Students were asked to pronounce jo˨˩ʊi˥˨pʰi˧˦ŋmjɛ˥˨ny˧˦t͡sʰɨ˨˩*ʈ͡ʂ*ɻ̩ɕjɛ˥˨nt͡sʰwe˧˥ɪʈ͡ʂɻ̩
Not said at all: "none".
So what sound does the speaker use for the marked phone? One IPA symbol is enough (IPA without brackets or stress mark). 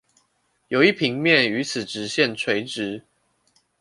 ʈ͡ʂ